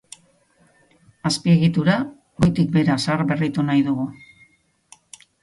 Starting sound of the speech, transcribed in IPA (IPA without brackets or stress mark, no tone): a